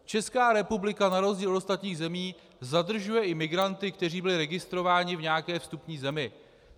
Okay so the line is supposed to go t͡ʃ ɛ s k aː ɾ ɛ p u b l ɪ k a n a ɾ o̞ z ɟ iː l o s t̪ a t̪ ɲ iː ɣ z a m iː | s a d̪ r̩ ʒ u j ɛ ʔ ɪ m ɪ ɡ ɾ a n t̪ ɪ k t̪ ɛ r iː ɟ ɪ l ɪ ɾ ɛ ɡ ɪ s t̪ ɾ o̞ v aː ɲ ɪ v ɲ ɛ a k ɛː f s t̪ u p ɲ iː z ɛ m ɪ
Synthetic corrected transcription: t͡ʃ ɛ s k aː ɾ ɛ p u b l ɪ k a n a ɾ o̞ z ɟ iː l o s t̪ a t̪ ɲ iː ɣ z ɛ m iː | z a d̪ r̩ ʒ u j ɛ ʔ ɪ m ɪ ɡ ɾ a n t̪ ɪ k t̪ ɛ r iː b ɪ l ɪ ɾ ɛ ɡ ɪ s t̪ ɾ o̞ v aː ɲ ɪ v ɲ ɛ a k ɛː f s t̪ u p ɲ iː z ɛ m ɪ